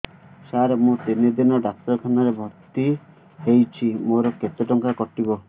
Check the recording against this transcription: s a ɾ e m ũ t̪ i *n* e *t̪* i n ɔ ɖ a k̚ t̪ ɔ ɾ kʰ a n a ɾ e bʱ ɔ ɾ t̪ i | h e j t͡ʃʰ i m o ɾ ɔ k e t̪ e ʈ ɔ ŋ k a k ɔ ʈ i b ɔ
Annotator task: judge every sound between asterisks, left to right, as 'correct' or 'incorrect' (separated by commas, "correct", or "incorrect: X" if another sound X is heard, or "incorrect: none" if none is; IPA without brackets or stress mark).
correct, incorrect: d̪